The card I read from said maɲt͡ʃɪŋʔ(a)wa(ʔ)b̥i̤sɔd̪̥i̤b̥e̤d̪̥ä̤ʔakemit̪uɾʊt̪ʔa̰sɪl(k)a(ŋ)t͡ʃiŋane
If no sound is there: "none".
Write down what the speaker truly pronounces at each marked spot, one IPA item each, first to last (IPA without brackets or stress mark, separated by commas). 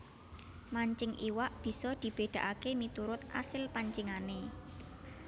i, ʔ, p, ɲ